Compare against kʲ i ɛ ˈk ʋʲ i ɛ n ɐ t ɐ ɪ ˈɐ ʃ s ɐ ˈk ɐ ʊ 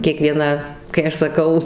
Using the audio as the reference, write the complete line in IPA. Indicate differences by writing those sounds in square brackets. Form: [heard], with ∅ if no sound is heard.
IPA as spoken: kʲ i ɛ ˈk ʋʲ i ɛ n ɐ [k] ɐ ɪ ˈɐ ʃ s ɐ ˈk ɐ ʊ